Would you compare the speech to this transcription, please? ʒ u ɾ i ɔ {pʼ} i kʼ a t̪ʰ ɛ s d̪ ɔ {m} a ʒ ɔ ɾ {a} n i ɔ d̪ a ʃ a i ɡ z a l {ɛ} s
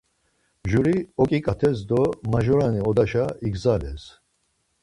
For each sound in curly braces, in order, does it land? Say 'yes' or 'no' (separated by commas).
no, yes, yes, yes